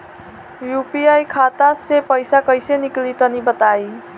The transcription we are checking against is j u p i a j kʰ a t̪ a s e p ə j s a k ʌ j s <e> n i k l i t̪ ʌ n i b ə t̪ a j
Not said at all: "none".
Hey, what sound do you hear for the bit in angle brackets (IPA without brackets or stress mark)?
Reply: e